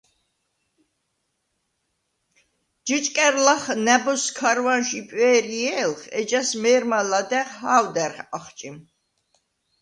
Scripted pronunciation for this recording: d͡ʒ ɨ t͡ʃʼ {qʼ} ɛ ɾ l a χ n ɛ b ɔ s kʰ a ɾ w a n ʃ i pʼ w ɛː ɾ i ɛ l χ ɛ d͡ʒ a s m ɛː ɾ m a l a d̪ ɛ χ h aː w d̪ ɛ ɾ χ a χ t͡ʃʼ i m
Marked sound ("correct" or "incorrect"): incorrect